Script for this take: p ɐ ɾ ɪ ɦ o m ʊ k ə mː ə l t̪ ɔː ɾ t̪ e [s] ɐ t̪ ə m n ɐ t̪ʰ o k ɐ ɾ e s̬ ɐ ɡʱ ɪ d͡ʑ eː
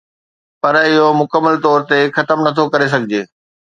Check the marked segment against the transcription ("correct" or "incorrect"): incorrect